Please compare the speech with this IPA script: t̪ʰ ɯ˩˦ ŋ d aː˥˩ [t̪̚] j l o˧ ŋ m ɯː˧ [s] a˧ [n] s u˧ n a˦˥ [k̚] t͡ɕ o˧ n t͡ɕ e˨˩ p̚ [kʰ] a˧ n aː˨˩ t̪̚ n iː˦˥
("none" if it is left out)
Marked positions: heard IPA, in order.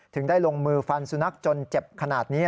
none, f, n, k̚, kʰ

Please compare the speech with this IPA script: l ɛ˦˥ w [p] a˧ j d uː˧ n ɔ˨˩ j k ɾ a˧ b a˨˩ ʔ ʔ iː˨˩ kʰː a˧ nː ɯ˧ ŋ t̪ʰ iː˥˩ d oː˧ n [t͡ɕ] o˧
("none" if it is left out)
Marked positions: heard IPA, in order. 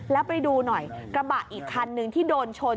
p, t͡ɕʰ

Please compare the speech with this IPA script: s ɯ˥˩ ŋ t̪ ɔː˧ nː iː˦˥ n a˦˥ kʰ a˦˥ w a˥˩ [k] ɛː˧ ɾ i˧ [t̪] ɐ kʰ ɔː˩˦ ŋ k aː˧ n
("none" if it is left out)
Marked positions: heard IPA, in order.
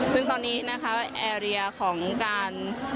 ʔ, none

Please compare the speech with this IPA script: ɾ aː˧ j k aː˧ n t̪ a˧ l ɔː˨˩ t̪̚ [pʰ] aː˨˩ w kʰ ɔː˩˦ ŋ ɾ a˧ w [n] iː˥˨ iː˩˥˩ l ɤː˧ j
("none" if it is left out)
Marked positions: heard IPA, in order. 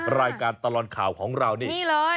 kʰ, n

